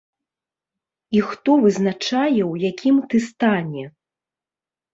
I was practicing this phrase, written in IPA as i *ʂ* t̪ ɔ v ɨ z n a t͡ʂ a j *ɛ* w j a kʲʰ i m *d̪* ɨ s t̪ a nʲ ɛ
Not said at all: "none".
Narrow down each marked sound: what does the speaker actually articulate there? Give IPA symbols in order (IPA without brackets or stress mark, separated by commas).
x, ɛ, t̪